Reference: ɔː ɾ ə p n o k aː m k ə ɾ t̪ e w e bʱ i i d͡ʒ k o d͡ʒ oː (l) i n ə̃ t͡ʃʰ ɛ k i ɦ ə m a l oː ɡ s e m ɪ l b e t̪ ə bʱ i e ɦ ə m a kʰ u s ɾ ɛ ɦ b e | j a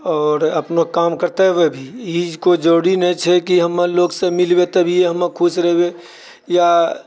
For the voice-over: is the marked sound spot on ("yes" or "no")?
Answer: no